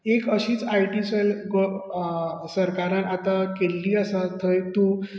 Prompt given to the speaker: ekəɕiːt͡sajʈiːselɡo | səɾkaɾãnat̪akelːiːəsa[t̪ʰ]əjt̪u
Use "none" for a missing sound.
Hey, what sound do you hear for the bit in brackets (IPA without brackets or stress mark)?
t̪ʰ